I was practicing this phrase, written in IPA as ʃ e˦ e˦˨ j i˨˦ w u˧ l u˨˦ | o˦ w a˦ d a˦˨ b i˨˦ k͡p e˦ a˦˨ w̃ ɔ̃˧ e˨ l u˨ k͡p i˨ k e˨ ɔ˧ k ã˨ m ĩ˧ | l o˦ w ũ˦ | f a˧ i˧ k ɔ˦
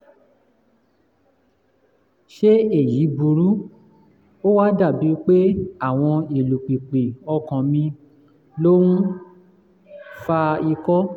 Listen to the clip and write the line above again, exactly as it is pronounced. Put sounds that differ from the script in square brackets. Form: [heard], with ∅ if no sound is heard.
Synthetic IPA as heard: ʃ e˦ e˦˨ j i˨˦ [b] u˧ [ɾ] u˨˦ | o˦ w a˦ d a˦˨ b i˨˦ k͡p e˦ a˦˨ w̃ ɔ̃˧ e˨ l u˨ k͡p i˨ [k͡p] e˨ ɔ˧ k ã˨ m ĩ˧ | l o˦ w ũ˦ | f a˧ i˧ k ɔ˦

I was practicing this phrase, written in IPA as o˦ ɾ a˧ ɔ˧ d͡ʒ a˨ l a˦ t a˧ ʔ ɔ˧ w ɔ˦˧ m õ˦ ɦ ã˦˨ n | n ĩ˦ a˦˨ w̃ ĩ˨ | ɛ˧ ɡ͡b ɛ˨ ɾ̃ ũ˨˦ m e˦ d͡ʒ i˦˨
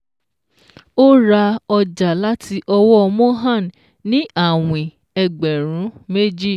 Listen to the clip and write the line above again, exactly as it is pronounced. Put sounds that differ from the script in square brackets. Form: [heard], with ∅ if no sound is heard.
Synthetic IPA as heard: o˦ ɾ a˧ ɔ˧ d͡ʒ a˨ l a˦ t [i˧] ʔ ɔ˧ w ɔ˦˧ m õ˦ ɦ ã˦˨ n | n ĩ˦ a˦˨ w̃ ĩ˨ | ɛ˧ ɡ͡b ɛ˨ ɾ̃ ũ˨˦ m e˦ d͡ʒ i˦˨

